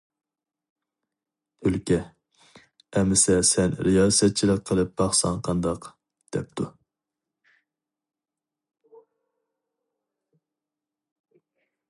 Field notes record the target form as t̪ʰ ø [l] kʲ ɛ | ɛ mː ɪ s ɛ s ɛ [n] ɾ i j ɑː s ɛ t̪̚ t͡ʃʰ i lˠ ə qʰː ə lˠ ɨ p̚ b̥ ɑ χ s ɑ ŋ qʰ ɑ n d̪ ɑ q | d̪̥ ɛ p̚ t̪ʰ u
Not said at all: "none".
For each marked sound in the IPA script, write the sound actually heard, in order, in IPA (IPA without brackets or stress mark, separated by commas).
l, n